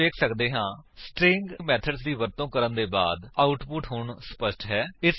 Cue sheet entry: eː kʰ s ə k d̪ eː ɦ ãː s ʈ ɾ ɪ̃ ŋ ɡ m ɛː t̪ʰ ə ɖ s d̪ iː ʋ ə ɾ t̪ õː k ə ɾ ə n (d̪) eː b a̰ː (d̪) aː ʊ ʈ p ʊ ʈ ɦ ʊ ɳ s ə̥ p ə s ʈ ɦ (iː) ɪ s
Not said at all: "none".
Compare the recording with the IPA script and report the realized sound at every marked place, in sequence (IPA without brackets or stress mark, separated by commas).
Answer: d̪, d̪, ɛː